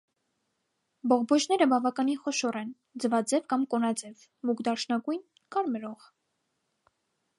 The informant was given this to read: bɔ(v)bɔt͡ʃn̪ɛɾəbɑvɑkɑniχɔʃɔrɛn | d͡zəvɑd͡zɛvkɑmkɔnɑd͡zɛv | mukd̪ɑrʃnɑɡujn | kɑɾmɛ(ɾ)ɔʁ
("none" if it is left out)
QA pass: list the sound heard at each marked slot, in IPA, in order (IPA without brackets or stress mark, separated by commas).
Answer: ʁ, ɾ